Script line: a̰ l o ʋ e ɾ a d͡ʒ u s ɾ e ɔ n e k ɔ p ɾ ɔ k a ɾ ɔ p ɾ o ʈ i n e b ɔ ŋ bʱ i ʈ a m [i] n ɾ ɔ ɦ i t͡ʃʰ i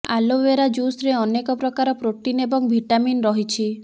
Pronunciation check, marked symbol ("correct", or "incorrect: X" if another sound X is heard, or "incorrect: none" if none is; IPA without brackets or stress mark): correct